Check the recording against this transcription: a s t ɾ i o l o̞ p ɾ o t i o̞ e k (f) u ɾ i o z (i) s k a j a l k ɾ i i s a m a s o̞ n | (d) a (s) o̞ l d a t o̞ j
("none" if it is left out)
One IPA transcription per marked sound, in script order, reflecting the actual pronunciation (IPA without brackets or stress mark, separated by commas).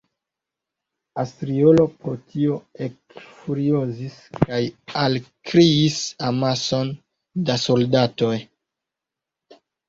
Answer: f, i, d, s